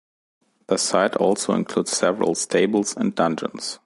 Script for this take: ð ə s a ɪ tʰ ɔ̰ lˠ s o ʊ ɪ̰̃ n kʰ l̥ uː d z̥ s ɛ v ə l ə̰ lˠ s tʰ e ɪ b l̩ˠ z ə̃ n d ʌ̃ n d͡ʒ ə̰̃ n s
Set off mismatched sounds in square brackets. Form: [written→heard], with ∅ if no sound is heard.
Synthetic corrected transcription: ð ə s a ɪ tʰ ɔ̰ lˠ s o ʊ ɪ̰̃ n kʰ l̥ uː d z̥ s ɛ v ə [l→ɹ] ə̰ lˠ s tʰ e ɪ b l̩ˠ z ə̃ n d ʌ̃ n d͡ʒ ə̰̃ n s

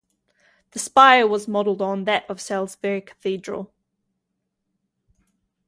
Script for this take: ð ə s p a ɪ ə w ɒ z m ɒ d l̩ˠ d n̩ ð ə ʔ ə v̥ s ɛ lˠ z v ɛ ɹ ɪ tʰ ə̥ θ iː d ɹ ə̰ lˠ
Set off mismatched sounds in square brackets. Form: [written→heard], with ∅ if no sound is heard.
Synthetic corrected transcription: ð ə s p a ɪ ə w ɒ z m ɒ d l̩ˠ d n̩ ð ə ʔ ə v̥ s ɛ lˠ z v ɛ ɹ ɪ [tʰ→kʰ] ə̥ θ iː d ɹ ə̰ lˠ

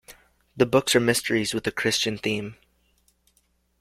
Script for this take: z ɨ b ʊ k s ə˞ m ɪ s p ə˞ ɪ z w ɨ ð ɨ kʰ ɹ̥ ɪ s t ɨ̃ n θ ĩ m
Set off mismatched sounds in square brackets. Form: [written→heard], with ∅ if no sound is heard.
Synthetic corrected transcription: [z→ð] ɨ b ʊ k s ə˞ m ɪ s [p→t] ə˞ [ɪ→i] z w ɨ ð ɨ kʰ ɹ̥ ɪ s [t→t͡ʃ] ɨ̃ n θ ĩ m

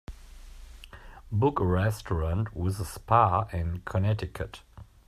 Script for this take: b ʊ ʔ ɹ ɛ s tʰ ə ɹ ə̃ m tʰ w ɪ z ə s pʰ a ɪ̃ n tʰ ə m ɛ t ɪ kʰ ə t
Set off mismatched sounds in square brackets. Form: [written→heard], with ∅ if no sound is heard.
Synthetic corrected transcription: b ʊ [ʔ→k] ɹ ɛ s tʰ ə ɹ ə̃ [m→n] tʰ w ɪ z ə s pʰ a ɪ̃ n [tʰ→kʰ] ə [m→n] ɛ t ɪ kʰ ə t

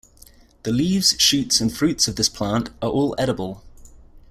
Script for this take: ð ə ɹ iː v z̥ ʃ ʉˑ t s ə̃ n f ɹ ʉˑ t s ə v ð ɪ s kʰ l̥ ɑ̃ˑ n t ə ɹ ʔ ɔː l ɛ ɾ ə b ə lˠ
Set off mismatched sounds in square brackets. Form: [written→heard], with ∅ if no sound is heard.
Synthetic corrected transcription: ð ə [ɹ→l] iː v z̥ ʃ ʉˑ t s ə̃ n f ɹ ʉˑ t s ə v ð ɪ s [kʰ→pʰ] l̥ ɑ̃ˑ n t ə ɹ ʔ ɔː l ɛ ɾ ə b ə lˠ

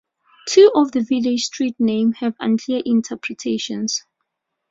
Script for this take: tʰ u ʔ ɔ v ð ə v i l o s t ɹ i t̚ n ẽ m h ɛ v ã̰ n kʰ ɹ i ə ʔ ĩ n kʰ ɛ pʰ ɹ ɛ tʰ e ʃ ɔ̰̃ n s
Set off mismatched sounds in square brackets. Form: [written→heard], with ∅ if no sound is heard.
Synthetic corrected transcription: tʰ u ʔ ɔ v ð ə v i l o s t ɹ i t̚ n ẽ m h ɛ v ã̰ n kʰ [ɹ→l] i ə ʔ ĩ n [kʰ→tʰ] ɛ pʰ ɹ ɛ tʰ e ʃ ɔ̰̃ n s

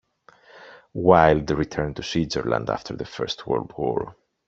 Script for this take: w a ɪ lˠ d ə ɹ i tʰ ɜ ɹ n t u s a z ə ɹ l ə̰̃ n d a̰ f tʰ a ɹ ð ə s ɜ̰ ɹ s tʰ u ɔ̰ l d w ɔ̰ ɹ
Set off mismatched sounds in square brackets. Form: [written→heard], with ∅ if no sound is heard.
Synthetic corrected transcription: w a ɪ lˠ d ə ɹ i tʰ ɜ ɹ n t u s [a→i] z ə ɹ l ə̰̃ n d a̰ f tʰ [a→ə] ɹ ð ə [s→f] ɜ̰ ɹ s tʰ [u→w] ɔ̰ l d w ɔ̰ ɹ

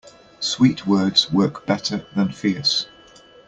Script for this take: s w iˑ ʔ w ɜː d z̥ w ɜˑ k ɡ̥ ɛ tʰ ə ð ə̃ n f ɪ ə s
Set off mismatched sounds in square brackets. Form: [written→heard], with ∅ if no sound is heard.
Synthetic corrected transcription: s w iˑ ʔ w ɜː d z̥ w ɜˑ k [ɡ̥→b̥] ɛ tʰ ə ð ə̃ n f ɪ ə s

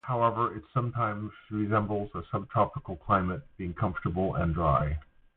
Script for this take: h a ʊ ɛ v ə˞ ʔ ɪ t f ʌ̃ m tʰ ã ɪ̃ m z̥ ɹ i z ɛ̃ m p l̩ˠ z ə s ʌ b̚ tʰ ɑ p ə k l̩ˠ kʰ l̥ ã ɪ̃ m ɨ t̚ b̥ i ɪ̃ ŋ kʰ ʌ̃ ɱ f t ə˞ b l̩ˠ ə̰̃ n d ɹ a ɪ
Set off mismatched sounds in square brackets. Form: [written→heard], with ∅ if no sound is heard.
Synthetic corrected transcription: h a ʊ ɛ v ə˞ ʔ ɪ t [f→s] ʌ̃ m tʰ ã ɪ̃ m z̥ ɹ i z ɛ̃ m [p→b] l̩ˠ z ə s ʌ b̚ tʰ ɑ p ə k l̩ˠ kʰ l̥ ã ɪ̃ m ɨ t̚ b̥ i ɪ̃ ŋ kʰ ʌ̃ ɱ f t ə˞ b l̩ˠ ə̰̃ n d ɹ a ɪ

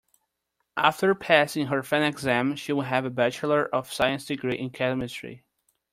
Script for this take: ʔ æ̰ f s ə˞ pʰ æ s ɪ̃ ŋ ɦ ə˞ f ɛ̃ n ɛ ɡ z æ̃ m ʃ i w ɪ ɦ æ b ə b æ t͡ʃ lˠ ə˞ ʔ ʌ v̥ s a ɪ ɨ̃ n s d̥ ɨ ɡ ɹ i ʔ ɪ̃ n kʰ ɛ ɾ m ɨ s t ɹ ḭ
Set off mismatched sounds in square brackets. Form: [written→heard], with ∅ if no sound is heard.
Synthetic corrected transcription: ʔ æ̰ f [s→t] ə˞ pʰ æ s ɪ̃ ŋ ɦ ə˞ f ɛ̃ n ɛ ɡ z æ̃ m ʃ i w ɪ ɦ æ [b→v] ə b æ t͡ʃ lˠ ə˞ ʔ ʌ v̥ s a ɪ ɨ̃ n s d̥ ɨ ɡ ɹ i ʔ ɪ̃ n kʰ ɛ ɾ m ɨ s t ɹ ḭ

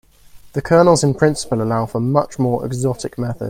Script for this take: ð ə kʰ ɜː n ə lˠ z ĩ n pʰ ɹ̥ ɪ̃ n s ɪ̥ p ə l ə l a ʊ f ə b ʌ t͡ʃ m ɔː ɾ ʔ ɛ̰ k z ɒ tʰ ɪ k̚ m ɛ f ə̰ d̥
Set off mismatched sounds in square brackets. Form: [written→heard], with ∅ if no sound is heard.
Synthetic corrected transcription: ð ə kʰ ɜː n ə lˠ z [ĩ→ɪ̃] n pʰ ɹ̥ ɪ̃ n s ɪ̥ p ə l ə l a ʊ f ə [b→m] ʌ t͡ʃ m ɔː [ɾ→ɹ] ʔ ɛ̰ [k→ɡ] z ɒ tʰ ɪ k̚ m ɛ [f→θ] ə̰ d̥

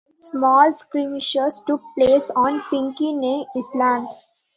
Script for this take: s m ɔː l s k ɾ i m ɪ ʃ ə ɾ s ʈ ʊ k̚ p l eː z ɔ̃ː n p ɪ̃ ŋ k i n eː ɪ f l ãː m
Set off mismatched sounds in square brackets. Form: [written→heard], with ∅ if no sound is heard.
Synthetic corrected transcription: s m ɔː l s k ɾ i m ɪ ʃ ə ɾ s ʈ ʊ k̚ p l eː [z→s] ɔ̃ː n p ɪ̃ ŋ k i n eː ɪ [f→s] l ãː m

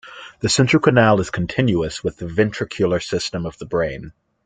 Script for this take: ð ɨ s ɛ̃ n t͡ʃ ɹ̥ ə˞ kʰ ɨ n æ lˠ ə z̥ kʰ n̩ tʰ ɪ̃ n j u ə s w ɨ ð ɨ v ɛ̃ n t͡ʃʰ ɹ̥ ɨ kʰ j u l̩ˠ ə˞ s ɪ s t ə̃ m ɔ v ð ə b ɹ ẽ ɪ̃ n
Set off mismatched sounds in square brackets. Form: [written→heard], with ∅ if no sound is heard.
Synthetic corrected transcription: ð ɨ s ɛ̃ n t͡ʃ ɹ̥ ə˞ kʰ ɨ n æ lˠ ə z̥ kʰ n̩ tʰ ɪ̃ n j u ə s w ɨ ð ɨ v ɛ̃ n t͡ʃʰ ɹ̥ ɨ kʰ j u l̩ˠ ə˞ s ɪ s t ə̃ m [ɔ→ʌ] v ð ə b ɹ ẽ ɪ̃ n

